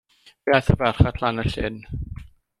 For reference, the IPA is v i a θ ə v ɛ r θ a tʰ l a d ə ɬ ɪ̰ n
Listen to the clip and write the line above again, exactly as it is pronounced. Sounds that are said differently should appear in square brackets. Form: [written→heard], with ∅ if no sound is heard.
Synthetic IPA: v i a θ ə v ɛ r [θ→χ] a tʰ l a [d→n] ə ɬ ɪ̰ n